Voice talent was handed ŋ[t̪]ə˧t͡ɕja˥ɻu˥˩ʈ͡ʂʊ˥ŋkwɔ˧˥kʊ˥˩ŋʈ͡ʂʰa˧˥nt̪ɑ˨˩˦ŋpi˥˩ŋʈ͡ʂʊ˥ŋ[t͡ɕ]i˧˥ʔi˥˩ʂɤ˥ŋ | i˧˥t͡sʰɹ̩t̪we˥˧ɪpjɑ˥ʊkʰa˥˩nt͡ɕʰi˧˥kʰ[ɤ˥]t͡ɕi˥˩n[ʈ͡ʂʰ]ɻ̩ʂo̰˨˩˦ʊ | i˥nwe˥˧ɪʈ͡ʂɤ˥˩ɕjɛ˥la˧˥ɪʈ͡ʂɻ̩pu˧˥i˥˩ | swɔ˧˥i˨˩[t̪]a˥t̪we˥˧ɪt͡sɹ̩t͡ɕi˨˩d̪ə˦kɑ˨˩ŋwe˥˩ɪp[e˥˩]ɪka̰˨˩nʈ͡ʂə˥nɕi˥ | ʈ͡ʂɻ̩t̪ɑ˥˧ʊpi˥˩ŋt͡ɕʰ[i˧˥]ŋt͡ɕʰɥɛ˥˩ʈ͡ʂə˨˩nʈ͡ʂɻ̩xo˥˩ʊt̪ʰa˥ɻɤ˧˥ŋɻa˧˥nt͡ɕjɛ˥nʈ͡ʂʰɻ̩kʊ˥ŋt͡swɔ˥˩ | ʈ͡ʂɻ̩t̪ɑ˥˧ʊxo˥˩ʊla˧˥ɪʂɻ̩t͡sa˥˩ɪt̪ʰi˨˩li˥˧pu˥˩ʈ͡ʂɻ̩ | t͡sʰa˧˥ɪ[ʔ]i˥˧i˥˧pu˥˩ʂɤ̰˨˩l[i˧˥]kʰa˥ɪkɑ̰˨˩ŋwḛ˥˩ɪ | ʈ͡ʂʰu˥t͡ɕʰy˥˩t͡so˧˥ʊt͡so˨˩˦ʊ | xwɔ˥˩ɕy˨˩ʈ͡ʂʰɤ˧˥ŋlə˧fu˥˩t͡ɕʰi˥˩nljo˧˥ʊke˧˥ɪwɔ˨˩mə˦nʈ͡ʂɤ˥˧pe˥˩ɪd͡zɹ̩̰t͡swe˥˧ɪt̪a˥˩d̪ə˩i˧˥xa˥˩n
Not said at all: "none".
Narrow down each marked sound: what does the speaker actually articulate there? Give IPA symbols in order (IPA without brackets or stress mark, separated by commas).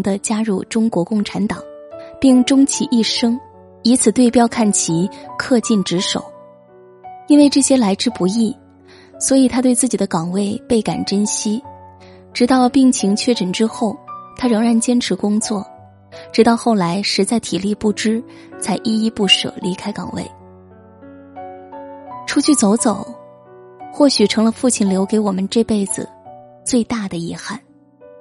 d̪, t͡ɕʰ, ɤ˥˧, ʈ͡ʂ, t̪ʰ, e˥˩, i˧˥, ʔ, i˧˥